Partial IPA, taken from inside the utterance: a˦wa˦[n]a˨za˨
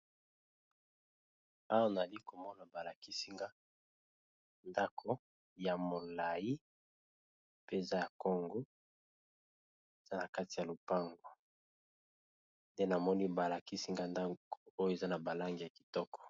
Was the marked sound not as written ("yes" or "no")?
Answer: no